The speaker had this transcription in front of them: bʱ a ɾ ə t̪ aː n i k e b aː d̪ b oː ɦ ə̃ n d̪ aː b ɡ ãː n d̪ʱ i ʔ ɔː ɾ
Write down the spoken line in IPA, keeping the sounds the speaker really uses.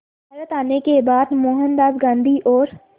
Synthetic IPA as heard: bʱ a ɾ ə t̪ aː n e k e b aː d̪ m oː ɦ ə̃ n d̪ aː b ɡ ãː n d̪ʱ i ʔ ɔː ɾ